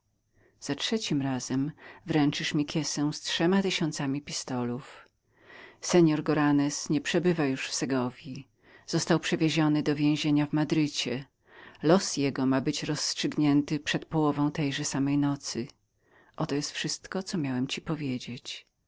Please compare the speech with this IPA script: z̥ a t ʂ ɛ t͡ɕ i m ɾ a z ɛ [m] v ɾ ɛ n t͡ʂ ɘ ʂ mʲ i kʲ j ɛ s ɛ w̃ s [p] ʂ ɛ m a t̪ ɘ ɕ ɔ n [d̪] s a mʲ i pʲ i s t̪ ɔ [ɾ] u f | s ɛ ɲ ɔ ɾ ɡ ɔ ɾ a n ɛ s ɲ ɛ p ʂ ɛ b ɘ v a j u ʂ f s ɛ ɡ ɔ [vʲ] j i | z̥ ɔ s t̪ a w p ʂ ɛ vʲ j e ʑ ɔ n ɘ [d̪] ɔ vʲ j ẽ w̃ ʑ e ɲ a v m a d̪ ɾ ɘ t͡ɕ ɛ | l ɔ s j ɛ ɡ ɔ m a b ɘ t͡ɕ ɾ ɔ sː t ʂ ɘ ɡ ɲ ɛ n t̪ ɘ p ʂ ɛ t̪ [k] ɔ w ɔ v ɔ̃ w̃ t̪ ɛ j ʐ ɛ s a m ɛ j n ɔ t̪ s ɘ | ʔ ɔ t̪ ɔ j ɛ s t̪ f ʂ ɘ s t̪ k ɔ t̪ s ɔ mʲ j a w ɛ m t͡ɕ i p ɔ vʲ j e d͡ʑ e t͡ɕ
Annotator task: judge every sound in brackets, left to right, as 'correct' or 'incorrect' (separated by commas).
correct, incorrect, incorrect, incorrect, correct, correct, incorrect